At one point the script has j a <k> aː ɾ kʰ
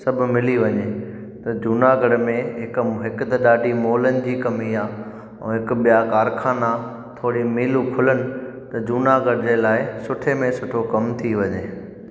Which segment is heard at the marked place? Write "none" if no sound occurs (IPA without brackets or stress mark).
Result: k